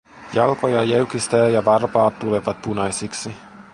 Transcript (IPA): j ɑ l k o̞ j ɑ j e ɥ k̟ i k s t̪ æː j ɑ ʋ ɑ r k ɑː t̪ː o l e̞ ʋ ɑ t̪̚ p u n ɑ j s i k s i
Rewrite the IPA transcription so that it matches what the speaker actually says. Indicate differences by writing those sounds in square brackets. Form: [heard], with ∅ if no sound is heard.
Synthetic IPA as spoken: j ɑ l k o̞ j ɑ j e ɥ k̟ i [∅] s t̪ æː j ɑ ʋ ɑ r [p] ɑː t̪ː [u] l e̞ ʋ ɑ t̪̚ p u n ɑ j s i k s i

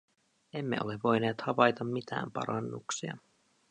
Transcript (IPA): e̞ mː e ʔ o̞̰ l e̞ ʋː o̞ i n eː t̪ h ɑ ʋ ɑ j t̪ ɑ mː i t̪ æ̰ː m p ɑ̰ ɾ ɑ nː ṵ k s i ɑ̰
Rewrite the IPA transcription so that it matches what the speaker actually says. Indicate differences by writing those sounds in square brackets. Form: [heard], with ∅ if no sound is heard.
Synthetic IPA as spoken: e̞ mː e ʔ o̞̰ l e̞ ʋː o̞ [j] n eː t̪ h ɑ ʋ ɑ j t̪ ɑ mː i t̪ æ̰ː m p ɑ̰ ɾ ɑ nː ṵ k s i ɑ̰

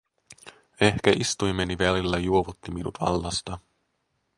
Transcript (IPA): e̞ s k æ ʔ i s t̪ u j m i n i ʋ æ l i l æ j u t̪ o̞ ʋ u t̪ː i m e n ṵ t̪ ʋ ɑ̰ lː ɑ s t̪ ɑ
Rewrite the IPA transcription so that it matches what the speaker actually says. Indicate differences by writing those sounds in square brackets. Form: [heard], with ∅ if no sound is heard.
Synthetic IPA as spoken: e̞ [h] k æ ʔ i s t̪ u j m [e] n i ʋ æ l i [lː] æ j u [∅] o̞ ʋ u t̪ː i m [i] n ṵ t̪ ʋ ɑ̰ lː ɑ s t̪ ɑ

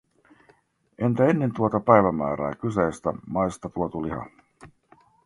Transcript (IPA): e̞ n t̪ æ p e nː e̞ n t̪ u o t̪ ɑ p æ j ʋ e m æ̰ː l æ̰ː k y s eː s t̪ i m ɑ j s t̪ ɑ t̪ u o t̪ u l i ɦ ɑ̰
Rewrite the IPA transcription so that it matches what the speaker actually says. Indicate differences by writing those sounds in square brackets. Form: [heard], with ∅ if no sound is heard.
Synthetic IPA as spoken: e̞ n t̪ æ [∅] e nː e̞ n t̪ u o t̪ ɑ p æ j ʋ [æ] m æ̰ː [ɾ] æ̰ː k y s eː s t̪ [æ] m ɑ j s t̪ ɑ t̪ u o t̪ u l i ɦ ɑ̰

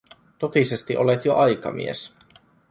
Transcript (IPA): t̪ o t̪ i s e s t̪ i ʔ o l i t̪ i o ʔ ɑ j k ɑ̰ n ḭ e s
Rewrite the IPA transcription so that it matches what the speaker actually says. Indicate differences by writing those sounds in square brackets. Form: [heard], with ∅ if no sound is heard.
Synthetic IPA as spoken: t̪ o t̪ i s e s t̪ i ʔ o l [e] t̪ [j] o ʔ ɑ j k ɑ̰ [m] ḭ e s

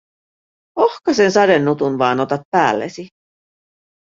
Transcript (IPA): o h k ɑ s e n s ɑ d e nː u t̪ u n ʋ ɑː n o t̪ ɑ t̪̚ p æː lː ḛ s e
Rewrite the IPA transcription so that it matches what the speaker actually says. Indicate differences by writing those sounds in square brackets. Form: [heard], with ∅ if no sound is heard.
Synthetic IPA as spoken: o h k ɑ s e n s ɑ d e nː u t̪ u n ʋ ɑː n o t̪ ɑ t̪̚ p æː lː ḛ s [i]

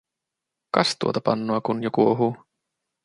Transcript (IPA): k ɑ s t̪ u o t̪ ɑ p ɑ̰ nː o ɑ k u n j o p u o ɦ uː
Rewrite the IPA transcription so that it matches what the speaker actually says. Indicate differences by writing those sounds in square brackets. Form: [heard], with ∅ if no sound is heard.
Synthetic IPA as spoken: k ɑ s t̪ u o t̪ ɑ p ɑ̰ nː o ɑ k u n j o [k] u o ɦ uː

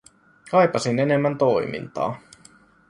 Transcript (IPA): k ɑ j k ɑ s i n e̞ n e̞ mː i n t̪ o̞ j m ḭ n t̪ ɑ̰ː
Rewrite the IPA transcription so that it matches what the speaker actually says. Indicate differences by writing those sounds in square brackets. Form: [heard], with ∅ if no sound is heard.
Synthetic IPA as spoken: k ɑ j [p] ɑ s i n e̞ n e̞ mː [æ] n t̪ o̞ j m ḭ n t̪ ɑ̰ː

